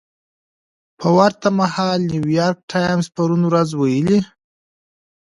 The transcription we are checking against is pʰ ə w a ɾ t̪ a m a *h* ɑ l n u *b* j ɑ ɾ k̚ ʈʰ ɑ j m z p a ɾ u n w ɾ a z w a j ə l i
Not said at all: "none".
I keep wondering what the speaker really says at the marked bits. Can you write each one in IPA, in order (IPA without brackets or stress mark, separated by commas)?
h, w